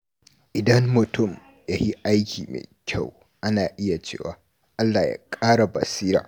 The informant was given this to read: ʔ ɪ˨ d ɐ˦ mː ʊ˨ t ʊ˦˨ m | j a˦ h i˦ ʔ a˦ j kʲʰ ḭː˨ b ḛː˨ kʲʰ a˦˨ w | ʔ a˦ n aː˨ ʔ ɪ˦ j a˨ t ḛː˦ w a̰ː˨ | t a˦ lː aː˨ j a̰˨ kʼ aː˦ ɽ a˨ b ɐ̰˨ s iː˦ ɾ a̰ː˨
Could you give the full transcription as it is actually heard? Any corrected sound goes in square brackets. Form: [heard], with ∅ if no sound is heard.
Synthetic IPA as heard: ʔ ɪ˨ d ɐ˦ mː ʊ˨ t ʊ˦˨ m | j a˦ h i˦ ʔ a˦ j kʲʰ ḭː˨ [m] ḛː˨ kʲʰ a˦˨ w | ʔ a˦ n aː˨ ʔ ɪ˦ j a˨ [t͡ʃ] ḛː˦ w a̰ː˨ | [ʔ] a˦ lː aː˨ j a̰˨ kʼ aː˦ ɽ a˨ b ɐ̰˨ s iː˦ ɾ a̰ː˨